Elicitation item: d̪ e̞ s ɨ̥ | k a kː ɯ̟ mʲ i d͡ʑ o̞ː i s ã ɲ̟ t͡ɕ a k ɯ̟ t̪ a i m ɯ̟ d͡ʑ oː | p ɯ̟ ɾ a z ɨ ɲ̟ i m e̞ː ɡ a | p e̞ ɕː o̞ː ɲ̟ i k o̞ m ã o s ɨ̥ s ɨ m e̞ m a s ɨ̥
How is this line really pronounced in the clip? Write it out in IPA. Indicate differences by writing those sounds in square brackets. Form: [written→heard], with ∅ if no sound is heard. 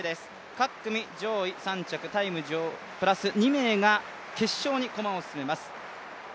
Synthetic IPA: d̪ e̞ s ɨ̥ | k a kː ɯ̟ mʲ i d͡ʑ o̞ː i s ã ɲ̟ t͡ɕ a k ɯ̟ t̪ a i m ɯ̟ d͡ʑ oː | p ɯ̟ ɾ a [z→s] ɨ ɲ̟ i m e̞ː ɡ a | [p→k] e̞ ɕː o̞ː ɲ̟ i k o̞ m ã o s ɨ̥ s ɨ m e̞ m a s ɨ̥